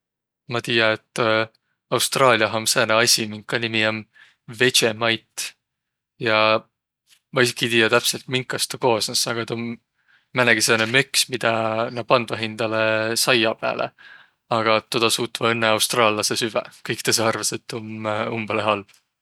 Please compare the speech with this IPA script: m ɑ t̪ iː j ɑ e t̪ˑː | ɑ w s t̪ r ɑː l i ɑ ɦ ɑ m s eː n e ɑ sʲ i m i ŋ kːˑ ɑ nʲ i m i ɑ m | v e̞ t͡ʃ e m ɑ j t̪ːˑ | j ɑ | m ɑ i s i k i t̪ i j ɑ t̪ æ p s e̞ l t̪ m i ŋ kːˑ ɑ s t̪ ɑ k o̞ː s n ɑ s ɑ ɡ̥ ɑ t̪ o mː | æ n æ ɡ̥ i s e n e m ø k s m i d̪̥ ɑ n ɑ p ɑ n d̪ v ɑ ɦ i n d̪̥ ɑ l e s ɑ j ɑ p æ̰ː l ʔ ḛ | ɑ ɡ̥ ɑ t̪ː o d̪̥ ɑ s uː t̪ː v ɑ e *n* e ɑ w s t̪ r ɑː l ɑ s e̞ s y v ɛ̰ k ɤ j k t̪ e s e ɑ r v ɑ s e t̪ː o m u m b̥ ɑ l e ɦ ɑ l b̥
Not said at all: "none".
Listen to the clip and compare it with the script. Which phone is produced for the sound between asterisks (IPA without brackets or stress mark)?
nː